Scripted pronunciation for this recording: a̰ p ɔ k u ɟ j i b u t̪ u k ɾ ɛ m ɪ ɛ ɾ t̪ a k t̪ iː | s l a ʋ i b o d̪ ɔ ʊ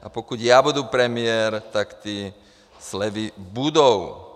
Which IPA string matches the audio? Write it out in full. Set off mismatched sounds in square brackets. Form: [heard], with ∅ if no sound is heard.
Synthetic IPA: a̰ p ɔ k u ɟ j [a] b u [d̪] u [p] ɾ ɛ m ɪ ɛ ɾ t̪ a k t̪ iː | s l [ɛ] ʋ i b [u] d̪ ɔ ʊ

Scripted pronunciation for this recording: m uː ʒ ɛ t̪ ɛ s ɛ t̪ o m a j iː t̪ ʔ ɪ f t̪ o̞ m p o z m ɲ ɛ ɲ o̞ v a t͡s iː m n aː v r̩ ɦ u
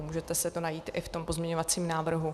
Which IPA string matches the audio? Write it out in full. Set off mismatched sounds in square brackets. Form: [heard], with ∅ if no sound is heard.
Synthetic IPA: m uː ʒ ɛ t̪ ɛ s ɛ t̪ o [n] a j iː t̪ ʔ ɪ f t̪ o̞ m p o z m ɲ ɛ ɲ o̞ v a t͡s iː m n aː v r̩ ɦ u

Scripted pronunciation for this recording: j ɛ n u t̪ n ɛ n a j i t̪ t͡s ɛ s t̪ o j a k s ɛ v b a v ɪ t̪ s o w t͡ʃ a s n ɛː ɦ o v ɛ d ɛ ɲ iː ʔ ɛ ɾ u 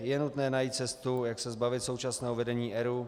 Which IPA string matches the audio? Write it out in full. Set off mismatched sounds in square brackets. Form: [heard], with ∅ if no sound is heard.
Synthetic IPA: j ɛ n u t̪ n [ɛː] n a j i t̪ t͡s ɛ s t̪ [u] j a k s ɛ [z] b a v ɪ t̪ s o w t͡ʃ a s n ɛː ɦ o v ɛ d ɛ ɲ iː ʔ ɛ ɾ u

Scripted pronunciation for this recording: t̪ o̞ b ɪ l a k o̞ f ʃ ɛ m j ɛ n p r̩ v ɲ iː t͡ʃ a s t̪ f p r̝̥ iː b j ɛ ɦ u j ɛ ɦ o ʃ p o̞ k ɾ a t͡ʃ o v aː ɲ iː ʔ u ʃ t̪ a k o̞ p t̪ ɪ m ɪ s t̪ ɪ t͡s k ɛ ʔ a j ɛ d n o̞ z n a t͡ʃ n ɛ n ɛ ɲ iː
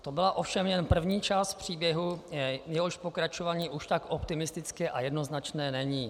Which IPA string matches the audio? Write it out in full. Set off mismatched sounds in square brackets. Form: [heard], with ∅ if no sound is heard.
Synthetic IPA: t̪ o̞ b ɪ l a [ʔ] o̞ f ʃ ɛ m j ɛ n p r̩ v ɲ iː t͡ʃ a s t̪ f p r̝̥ iː b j ɛ ɦ u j ɛ ɦ o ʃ p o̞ k ɾ a t͡ʃ o v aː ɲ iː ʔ u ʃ t̪ a k o̞ p t̪ ɪ m ɪ s t̪ ɪ t͡s k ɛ ʔ a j ɛ d n o̞ z n a t͡ʃ n [ɛː] n ɛ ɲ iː

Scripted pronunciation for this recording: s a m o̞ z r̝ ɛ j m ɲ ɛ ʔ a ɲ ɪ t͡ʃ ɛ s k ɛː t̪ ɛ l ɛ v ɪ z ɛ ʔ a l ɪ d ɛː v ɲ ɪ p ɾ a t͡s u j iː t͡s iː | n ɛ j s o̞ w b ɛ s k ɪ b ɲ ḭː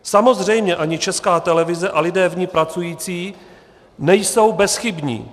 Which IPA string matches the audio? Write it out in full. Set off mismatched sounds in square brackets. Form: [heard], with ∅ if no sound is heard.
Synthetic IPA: s a m o̞ z r̝ ɛ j m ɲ ɛ ʔ a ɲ ɪ t͡ʃ ɛ s k [aː] t̪ ɛ l ɛ v ɪ z ɛ ʔ a l ɪ d ɛː v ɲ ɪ p ɾ a t͡s u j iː t͡s iː | n ɛ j s o̞ w b ɛ s [x] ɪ b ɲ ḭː

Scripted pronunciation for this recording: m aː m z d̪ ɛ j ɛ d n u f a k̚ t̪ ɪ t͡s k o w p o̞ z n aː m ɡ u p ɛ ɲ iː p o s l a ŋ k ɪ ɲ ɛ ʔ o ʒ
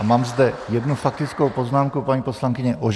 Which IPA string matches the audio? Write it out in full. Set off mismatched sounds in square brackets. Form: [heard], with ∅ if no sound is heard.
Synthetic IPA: m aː m z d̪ ɛ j ɛ d n u f a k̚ t̪ ɪ t͡s k o w p o̞ z n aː m [k] u p [a] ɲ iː p o s l a ŋ k ɪ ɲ ɛ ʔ o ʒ

